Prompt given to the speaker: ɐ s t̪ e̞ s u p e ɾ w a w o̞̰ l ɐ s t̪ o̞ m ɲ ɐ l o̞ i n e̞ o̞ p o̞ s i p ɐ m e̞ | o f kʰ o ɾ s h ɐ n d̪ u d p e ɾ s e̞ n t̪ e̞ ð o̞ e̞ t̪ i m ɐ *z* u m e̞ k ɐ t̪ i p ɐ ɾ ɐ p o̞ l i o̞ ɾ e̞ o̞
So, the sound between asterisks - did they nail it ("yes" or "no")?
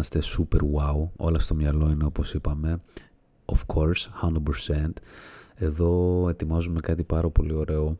yes